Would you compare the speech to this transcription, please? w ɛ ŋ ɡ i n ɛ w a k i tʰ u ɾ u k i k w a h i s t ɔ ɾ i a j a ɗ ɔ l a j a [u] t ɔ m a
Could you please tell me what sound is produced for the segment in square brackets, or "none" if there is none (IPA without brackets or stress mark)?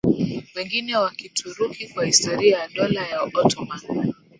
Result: ɔ